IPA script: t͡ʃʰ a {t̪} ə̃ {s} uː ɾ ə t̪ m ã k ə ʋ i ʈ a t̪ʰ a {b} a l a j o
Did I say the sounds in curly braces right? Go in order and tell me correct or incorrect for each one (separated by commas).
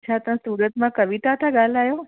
correct, correct, incorrect